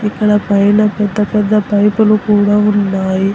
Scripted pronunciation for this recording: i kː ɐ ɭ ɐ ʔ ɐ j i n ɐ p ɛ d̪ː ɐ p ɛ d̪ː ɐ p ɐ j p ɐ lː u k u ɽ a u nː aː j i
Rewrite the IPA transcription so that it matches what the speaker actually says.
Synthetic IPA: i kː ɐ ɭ ɐ p ɐ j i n ɐ p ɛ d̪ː ɐ p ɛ d̪ː ɐ p ɐ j p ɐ l u k uː ɽ a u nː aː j i